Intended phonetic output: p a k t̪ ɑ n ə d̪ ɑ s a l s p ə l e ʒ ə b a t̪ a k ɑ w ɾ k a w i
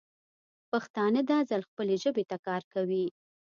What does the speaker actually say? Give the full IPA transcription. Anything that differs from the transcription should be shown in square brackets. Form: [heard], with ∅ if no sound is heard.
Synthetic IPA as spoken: p a [x] t̪ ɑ n ə d̪ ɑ [z] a l [x] p ə l e ʒ ə b [e] t̪ a k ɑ [∅] ɾ k a w i